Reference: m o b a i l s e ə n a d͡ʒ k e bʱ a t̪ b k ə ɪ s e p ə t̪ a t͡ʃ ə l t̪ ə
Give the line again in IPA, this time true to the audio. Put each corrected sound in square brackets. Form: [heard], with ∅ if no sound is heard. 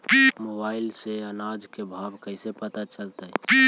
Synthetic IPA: m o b a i l s e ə n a d͡ʒ k e bʱ a [∅] b k ə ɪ s e p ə t̪ a t͡ʃ ə l t̪ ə